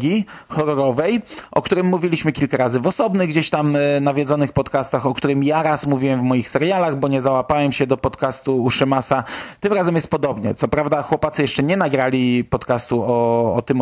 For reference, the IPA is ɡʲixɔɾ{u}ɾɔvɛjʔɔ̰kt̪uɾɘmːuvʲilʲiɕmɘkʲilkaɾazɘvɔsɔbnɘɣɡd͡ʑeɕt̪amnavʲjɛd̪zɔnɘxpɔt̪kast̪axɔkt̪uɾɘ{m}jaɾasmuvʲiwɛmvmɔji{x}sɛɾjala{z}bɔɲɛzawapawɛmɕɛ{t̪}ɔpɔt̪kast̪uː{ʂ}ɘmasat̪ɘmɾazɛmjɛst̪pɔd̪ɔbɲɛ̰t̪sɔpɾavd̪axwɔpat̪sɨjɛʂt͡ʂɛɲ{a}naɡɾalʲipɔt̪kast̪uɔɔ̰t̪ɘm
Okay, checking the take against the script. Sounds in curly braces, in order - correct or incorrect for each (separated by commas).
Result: incorrect, correct, correct, incorrect, incorrect, correct, incorrect